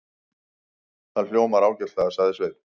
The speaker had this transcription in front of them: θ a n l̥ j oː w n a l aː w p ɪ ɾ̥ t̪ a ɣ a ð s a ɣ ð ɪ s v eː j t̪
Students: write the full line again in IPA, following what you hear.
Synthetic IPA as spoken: θ a n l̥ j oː w m a ɾ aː w c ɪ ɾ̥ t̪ a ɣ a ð s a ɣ ð ɪ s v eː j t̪